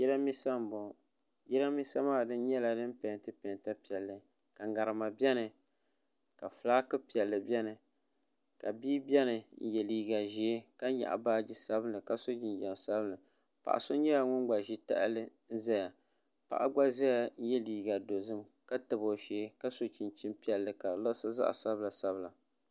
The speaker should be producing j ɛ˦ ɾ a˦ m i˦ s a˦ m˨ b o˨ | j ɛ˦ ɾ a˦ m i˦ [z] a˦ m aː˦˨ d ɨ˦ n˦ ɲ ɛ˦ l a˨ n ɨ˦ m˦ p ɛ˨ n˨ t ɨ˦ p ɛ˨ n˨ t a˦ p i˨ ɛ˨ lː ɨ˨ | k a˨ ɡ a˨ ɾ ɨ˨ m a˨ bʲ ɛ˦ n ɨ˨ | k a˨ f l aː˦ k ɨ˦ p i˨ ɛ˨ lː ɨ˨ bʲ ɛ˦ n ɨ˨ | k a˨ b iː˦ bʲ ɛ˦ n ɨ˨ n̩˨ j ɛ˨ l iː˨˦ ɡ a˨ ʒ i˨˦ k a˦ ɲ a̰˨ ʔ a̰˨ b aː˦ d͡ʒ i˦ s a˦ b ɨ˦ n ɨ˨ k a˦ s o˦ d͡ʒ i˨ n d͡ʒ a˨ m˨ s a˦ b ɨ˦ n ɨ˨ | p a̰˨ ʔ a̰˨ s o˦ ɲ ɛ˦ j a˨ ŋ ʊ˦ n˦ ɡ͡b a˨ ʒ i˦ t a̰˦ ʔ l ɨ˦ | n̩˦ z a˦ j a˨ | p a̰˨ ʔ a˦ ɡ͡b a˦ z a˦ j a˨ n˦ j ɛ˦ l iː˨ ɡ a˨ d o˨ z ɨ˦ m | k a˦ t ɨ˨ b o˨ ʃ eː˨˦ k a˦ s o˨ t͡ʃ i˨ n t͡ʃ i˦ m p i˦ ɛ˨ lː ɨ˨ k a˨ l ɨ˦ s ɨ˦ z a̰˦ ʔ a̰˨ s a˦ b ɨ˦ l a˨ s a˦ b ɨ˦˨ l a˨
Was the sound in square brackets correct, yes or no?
no